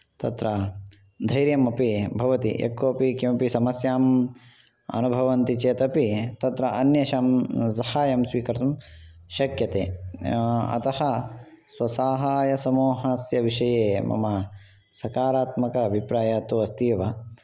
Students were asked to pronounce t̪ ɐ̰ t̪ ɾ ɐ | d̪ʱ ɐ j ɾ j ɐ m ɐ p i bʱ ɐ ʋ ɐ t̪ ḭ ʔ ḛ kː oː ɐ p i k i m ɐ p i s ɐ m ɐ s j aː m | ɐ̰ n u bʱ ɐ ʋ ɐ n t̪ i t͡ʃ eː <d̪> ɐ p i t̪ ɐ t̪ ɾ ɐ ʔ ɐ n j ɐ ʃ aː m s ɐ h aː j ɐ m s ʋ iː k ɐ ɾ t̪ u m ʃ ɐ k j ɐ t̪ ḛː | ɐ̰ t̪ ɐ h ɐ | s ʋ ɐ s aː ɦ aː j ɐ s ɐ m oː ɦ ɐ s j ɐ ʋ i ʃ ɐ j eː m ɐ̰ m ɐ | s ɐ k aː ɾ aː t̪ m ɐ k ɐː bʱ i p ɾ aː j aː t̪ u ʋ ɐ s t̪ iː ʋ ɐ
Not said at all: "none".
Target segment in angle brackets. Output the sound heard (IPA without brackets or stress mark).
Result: t̪